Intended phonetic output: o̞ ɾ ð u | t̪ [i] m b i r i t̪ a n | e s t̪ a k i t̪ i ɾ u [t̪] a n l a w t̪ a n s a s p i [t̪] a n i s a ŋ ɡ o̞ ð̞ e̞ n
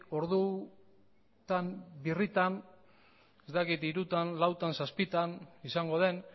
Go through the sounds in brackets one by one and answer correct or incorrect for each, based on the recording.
incorrect: a, correct, correct

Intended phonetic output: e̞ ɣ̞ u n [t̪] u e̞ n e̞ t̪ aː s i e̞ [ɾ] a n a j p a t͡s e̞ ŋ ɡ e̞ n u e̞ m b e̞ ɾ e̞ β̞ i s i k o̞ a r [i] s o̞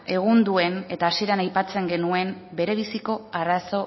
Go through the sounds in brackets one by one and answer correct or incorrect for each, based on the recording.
incorrect: d̪, correct, incorrect: a

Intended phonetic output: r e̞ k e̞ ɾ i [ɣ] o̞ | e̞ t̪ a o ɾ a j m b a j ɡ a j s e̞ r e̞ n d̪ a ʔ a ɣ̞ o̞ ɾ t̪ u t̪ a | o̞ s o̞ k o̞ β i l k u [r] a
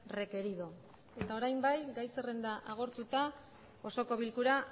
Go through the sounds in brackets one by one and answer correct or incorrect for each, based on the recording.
incorrect: ð, incorrect: ɾ

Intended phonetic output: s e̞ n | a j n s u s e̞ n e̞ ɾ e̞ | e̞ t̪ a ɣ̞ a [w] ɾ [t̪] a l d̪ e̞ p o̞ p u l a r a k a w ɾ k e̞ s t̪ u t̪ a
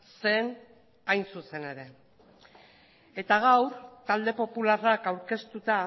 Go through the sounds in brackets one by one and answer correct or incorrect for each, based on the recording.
correct, correct

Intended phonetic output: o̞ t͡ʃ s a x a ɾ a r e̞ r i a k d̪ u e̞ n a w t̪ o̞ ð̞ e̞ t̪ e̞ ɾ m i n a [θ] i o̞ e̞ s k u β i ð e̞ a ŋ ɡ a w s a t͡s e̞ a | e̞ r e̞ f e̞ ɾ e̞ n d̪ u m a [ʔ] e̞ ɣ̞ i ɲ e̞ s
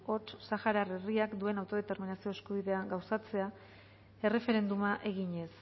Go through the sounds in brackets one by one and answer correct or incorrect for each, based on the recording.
incorrect: s, correct

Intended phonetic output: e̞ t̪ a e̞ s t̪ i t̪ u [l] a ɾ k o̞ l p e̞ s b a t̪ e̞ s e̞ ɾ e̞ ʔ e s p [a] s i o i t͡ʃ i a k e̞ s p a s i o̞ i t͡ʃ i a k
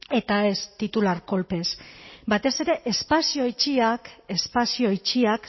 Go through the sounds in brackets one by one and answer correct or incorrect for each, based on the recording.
correct, correct

